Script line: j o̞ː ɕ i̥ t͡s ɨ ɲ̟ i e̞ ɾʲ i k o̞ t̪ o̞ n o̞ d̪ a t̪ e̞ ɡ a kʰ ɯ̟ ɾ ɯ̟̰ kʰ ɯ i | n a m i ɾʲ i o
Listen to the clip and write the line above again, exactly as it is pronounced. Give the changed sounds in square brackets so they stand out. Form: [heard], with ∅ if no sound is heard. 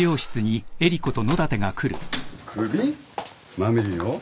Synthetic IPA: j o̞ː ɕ i̥ t͡s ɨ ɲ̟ i e̞ ɾʲ i k o̞ t̪ o̞ n o̞ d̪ a t̪ e̞ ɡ a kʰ ɯ̟ ɾ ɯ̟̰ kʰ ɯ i | [m] a m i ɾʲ i o